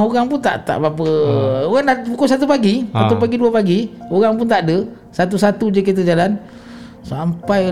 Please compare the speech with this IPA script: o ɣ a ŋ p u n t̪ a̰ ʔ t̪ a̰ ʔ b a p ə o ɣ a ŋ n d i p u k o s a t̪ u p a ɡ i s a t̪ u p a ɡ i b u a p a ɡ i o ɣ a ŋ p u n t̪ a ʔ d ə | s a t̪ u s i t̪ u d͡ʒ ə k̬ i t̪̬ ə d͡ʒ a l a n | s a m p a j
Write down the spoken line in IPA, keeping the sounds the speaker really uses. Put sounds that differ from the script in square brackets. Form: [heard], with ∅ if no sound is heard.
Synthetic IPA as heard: o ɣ a ŋ p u n t̪ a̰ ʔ t̪ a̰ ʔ b a p ə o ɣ a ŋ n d [a] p u k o s a t̪ u p a ɡ i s a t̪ u p a ɡ i [d] u a p a ɡ i o ɣ a ŋ p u n t̪ a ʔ d ə | s a t̪ u s [a] t̪ u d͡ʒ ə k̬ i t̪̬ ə d͡ʒ a l a n | s a m p a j